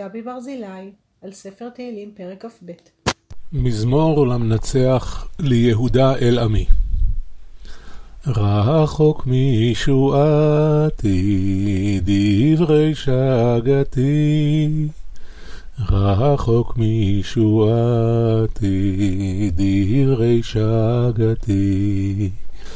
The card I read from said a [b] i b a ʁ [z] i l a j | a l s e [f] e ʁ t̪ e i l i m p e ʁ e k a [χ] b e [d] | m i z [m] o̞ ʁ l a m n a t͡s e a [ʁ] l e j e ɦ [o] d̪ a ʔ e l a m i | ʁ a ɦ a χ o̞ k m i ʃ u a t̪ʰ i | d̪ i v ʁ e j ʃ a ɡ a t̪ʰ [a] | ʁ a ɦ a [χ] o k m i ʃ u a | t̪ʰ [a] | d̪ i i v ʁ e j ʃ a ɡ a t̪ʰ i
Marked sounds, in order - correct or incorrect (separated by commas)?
correct, correct, correct, incorrect, incorrect, correct, incorrect, incorrect, incorrect, correct, incorrect